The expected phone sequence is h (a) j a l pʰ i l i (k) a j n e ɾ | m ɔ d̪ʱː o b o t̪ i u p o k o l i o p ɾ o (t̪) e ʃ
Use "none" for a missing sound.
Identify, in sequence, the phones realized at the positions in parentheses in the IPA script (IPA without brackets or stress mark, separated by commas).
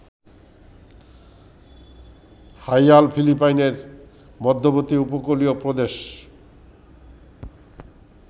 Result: a, p, d̪